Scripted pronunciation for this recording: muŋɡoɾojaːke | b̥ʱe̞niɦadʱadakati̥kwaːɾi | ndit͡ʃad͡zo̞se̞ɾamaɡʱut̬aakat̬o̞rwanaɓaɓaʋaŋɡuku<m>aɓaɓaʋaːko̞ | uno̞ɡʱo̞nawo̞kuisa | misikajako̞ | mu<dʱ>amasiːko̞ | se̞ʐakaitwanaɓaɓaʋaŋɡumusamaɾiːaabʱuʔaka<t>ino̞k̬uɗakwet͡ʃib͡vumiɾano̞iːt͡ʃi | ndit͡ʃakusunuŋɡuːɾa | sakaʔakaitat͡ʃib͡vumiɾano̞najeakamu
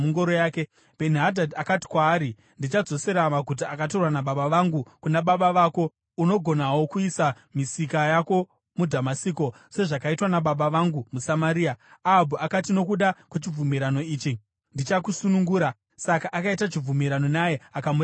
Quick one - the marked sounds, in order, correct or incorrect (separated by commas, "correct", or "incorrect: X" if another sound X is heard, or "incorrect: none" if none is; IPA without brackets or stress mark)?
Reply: incorrect: n, correct, correct